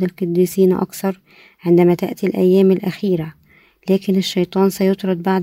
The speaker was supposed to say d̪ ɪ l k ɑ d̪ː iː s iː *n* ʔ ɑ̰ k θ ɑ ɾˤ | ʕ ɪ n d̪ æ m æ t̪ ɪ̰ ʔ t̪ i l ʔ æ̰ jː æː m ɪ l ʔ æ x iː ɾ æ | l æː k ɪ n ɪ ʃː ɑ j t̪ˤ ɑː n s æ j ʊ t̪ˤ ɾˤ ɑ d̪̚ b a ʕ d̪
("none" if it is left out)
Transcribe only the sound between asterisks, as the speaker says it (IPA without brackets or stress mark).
n